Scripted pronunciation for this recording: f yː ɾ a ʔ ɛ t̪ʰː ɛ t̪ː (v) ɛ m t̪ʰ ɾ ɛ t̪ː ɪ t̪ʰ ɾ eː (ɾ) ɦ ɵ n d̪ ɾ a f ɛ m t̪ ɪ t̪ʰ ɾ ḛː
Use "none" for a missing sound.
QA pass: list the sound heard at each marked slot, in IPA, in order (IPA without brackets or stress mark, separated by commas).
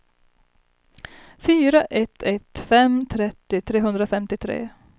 f, none